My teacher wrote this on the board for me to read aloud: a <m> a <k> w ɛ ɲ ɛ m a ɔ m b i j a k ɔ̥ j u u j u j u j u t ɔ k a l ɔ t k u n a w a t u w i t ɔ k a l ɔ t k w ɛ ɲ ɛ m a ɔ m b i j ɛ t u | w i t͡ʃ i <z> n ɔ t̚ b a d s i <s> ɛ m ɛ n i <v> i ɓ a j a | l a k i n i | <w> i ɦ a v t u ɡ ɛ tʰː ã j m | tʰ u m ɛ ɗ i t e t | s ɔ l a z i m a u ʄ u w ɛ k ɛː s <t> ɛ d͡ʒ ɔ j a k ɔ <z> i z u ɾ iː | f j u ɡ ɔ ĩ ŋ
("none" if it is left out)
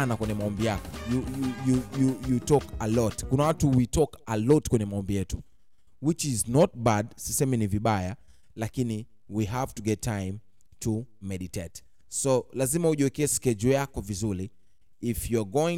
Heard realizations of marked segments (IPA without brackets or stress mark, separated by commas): n, k, z, s, v, w, k, v